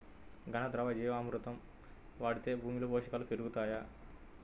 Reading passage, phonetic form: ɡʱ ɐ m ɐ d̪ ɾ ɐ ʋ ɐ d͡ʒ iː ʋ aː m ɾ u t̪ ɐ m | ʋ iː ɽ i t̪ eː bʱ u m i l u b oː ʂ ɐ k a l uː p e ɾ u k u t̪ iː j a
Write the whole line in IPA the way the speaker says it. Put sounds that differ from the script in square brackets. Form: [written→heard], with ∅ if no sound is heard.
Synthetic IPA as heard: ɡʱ ɐ [m→n] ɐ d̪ ɾ ɐ ʋ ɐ d͡ʒ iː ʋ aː m ɾ u t̪ ɐ m | ʋ [iː→aː] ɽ i t̪ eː bʱ [u→uː] m i l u b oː ʂ ɐ k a l [uː→u] p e ɾ u [k→ɡ] u t̪ [iː→aː] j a